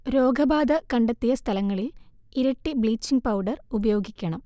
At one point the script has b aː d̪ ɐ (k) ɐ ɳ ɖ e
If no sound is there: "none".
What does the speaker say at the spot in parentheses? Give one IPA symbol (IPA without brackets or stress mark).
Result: k